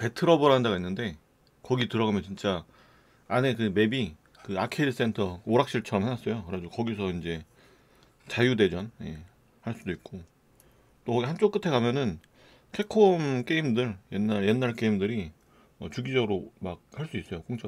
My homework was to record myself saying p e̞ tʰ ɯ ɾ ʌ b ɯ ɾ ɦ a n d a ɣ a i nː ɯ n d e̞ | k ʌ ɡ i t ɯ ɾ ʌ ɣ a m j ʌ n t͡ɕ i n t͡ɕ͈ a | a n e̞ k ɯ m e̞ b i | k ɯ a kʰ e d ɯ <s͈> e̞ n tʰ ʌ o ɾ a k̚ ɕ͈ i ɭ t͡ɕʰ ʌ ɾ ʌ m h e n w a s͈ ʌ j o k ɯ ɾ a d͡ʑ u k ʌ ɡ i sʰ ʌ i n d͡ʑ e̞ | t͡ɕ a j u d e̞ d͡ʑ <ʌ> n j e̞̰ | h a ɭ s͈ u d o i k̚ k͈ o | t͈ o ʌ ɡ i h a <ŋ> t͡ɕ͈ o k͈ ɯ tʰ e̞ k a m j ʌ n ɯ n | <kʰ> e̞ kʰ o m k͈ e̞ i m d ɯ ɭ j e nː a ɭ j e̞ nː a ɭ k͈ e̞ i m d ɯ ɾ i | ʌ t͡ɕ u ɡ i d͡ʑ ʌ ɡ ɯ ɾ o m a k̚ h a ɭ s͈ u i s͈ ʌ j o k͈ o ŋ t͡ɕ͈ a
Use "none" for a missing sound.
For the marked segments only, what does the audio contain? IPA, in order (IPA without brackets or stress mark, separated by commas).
s͈, ʌ, n, kʰ